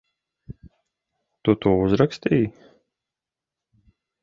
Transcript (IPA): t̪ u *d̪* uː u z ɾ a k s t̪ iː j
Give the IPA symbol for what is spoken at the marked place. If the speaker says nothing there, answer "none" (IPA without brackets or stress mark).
t̪